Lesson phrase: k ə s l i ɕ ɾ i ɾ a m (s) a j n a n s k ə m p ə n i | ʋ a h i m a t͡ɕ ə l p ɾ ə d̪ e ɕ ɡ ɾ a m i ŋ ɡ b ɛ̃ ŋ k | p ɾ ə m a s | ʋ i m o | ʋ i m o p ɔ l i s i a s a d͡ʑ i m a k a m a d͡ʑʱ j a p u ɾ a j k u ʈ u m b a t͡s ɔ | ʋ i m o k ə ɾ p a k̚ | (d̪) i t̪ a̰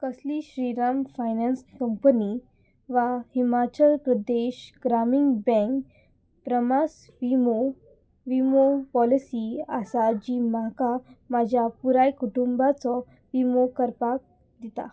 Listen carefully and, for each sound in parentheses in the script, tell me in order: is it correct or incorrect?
incorrect: f, correct

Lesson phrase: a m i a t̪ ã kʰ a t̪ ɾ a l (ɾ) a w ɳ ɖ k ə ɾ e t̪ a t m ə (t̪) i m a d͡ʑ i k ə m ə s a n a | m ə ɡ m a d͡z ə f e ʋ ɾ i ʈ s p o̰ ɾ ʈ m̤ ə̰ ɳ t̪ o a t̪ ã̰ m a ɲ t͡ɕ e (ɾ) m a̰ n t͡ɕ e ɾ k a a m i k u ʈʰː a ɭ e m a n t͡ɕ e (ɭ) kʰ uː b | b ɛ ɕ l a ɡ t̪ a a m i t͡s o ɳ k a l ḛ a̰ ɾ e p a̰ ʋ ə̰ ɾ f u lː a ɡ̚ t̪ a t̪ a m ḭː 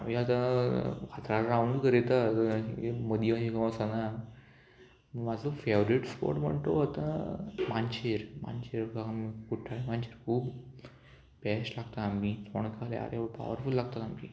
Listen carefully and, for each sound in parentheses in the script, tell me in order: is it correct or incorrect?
correct, incorrect: d̪, correct, incorrect: ɾ

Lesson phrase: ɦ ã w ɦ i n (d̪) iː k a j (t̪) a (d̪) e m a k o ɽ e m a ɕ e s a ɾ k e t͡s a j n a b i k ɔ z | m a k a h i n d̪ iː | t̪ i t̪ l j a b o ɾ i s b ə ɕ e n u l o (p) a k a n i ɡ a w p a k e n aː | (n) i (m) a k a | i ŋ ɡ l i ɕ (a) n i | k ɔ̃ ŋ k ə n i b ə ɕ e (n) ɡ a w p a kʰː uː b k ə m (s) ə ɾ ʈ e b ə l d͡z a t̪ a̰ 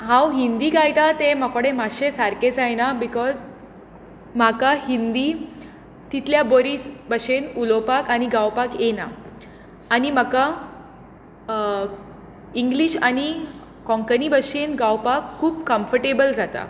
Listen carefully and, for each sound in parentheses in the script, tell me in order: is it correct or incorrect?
correct, correct, incorrect: t̪, correct, correct, correct, correct, correct, incorrect: f

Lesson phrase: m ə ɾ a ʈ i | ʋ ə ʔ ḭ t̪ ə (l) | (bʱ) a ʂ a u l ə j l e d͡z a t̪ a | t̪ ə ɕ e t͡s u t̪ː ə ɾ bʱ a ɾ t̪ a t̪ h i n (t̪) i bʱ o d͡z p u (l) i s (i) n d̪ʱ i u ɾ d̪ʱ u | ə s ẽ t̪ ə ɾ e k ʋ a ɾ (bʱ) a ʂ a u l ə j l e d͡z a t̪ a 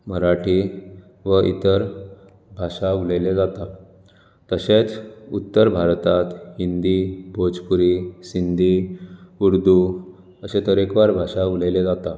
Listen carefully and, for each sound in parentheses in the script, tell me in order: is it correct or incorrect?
incorrect: ɾ, correct, incorrect: d̪, incorrect: ɾ, correct, correct

